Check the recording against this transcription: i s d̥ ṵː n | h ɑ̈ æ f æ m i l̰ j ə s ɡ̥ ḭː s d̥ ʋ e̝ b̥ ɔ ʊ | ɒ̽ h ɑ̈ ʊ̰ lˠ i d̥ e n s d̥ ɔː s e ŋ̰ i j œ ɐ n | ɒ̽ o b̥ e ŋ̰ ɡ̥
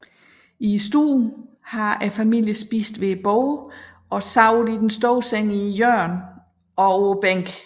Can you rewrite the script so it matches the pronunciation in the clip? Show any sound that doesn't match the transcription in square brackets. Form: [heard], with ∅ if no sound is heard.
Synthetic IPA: i s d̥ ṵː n | h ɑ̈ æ f æ m i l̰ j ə s [b̥] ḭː s d̥ ʋ e̝ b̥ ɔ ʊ | ɒ̽ [s] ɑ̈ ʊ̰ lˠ i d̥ e n s d̥ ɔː s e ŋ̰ i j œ ɐ n | ɒ̽ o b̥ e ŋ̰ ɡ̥

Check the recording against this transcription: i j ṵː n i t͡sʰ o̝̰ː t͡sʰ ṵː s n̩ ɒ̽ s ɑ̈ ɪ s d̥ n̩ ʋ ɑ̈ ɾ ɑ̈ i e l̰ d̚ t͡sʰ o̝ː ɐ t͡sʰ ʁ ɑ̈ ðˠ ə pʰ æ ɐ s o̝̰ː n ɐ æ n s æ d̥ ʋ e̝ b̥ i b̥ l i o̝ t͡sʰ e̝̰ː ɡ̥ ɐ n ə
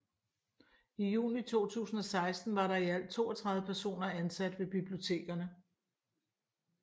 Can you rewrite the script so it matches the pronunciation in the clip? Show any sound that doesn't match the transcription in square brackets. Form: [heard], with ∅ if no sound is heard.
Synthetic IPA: i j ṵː n i t͡sʰ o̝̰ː t͡sʰ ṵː s n̩ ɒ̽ s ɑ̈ ɪ s d̥ n̩ ʋ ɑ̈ ɾ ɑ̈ i [æ] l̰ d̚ t͡sʰ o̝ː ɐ t͡sʰ ʁ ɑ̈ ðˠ ə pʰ æ ɐ s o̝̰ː n ɐ æ n s æ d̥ ʋ e̝ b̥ i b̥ l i o̝ t͡sʰ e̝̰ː ɡ̥ ɐ n ə

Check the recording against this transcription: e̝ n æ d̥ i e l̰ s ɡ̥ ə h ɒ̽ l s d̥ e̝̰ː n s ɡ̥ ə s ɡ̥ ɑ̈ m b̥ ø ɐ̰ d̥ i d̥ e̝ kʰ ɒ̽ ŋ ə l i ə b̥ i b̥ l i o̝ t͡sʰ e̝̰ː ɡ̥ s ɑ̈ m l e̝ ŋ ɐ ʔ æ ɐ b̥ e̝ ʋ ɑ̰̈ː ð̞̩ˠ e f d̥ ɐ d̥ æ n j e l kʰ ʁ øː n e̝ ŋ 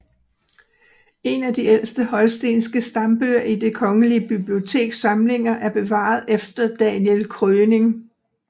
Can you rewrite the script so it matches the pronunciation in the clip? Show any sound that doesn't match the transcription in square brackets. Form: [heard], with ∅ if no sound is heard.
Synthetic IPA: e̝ n æ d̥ i e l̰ s [d̥] ə h ɒ̽ l s d̥ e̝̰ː n s ɡ̥ ə s [d̥] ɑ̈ m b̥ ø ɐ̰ [∅] i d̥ e̝ kʰ ɒ̽ ŋ ə l i ə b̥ i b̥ l i o̝ t͡sʰ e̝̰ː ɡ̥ s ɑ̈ m l e̝ ŋ ɐ ʔ æ ɐ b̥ e̝ ʋ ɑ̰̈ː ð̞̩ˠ e f d̥ ɐ d̥ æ n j e l kʰ ʁ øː n e̝ ŋ

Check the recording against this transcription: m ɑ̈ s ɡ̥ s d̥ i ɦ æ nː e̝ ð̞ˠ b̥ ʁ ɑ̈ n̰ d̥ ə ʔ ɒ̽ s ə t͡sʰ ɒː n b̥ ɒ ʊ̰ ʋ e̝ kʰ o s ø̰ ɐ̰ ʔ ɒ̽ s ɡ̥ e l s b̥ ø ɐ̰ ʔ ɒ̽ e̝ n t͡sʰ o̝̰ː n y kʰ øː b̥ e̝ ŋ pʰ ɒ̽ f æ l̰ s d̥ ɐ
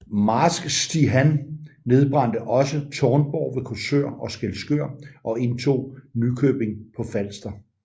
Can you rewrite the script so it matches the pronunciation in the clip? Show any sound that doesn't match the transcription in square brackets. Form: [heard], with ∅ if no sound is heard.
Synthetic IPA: m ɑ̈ s ɡ̥ s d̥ i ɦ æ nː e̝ ð̞ˠ b̥ ʁ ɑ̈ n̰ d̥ ə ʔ ɒ̽ s ə t͡sʰ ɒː n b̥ ɒ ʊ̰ ʋ e̝ kʰ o s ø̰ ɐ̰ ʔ ɒ̽ s ɡ̥ e l s [ɡ̥] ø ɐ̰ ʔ ɒ̽ e̝ n t͡sʰ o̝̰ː n y kʰ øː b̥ e̝ ŋ pʰ ɒ̽ f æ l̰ s d̥ ɐ

